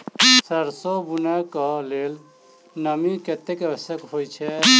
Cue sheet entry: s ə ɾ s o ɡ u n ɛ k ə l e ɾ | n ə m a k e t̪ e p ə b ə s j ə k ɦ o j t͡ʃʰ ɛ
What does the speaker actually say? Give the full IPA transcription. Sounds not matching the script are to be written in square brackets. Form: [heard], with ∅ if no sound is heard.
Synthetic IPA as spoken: s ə ɾ s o [b] u n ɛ k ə l e [l] | n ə m [i] k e t̪ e [k] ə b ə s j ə k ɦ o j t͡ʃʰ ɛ